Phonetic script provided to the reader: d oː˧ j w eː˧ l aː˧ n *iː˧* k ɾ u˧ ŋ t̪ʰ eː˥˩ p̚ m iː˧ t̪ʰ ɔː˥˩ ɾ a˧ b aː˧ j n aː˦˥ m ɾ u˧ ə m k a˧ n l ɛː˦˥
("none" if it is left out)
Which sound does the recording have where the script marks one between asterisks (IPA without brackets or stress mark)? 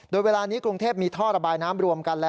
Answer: iː˦˥